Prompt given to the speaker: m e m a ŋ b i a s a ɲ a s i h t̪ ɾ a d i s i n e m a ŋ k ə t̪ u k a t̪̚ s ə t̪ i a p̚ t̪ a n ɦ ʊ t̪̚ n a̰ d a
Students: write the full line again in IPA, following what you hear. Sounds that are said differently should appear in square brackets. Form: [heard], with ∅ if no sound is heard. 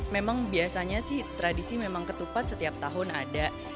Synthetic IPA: m e m a ŋ b i a s a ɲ a s [ɪ] h t̪ ɾ a d i s i [m] e m a ŋ k ə t̪ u [p] a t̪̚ s ə t̪ i a p̚ t̪ a [∅] ɦ ʊ [∅] n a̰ d a